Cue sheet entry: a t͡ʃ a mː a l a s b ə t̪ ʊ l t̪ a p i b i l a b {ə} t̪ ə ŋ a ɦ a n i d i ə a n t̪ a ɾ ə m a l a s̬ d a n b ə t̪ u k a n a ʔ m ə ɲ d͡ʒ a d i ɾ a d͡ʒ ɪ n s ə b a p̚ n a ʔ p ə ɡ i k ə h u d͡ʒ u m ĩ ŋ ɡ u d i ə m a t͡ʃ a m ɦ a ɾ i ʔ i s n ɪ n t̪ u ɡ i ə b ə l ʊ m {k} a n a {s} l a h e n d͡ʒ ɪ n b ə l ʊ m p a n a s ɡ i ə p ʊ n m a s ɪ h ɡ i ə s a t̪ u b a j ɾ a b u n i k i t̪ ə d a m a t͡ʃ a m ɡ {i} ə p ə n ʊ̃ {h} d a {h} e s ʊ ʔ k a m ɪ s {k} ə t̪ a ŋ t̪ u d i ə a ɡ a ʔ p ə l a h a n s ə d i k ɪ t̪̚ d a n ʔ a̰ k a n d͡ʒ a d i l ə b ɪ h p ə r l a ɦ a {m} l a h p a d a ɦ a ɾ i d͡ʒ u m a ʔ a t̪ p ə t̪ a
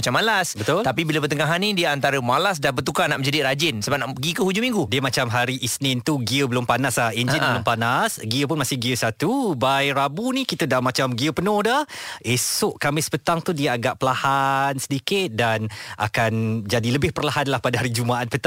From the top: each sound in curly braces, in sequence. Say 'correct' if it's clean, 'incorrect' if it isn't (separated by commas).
correct, incorrect, correct, correct, correct, correct, incorrect, incorrect